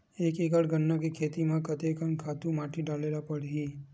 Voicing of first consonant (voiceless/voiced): voiceless